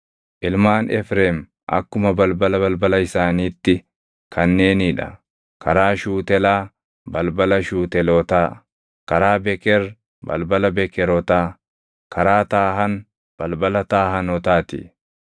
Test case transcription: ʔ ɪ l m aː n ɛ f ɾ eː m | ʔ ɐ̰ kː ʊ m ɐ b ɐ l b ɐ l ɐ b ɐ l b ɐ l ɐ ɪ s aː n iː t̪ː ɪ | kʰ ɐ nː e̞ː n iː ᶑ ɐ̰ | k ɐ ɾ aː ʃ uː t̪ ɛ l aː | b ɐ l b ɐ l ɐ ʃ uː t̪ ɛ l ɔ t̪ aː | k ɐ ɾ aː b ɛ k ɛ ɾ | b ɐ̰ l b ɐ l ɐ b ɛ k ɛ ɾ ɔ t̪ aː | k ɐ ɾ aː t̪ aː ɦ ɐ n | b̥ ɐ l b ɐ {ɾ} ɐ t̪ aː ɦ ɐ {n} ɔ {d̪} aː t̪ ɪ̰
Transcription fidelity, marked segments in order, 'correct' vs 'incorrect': incorrect: l, correct, incorrect: t̪

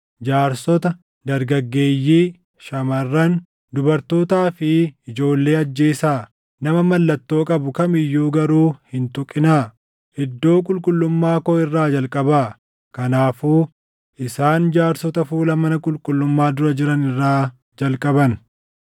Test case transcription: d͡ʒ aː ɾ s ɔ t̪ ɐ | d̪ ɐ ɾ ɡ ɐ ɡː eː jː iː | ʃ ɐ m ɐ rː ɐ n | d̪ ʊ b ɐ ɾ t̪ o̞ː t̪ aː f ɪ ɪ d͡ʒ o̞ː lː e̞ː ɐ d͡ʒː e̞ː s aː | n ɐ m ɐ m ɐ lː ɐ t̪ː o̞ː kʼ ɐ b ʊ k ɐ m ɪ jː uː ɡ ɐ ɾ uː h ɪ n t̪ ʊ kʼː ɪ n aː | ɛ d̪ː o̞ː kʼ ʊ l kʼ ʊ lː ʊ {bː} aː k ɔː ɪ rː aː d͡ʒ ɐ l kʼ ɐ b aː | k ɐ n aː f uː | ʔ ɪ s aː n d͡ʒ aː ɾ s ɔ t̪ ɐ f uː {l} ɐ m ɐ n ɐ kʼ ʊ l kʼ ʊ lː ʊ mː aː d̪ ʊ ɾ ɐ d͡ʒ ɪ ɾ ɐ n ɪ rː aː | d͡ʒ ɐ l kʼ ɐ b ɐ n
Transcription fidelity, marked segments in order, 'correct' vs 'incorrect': incorrect: mː, correct

